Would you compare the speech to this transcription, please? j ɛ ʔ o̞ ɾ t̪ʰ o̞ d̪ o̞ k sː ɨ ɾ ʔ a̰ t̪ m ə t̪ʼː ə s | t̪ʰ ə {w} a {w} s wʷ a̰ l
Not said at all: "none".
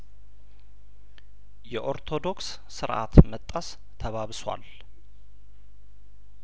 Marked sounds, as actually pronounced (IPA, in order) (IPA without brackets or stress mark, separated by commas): β, β